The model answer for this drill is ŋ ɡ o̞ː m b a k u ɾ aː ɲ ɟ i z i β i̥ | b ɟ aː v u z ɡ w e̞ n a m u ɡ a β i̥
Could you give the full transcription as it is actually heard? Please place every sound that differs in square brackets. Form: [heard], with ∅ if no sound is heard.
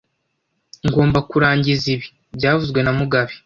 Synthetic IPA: ŋ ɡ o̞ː m b a k u ɾ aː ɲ ɟ i z i β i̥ | b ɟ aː v u z ɡ w e̞ n a m u ɡ a β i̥